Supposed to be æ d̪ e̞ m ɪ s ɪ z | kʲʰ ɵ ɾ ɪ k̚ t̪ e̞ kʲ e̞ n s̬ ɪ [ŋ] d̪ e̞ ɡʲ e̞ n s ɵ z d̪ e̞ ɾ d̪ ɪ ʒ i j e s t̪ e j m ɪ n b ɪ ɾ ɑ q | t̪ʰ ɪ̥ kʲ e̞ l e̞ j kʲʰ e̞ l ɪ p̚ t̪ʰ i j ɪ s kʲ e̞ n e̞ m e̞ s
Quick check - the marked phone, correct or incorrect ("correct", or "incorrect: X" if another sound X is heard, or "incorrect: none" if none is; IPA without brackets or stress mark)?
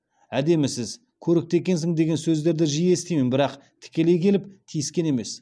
correct